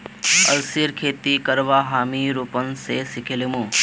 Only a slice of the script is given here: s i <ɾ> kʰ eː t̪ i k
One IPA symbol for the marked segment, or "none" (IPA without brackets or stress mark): ɾ